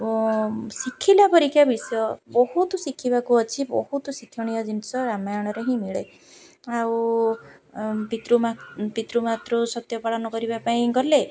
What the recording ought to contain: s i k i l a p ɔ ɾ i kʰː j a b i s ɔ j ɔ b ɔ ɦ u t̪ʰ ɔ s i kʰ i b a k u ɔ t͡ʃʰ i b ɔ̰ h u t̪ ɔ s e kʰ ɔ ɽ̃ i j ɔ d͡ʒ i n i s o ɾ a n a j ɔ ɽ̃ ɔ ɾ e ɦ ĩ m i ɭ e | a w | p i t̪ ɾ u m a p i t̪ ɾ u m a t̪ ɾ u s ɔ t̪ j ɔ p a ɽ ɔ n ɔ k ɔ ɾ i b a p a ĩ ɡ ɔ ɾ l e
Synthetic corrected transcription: s i kʰ i l a p ɔ ɾ i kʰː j a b i s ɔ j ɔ b ɔ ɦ u t̪ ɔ s i kʰ i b a k u ɔ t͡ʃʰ i b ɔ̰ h u t̪ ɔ s i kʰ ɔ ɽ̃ i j ɔ d͡ʒ i n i s ɔ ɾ a m a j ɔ ɽ̃ ɔ ɾ e ɦ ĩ m i ɭ e | a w | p i t̪ ɾ u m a p i t̪ ɾ u m a t̪ ɾ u s ɔ t̪ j ɔ p a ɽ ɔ n ɔ k ɔ ɾ i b a p a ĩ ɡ ɔ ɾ l e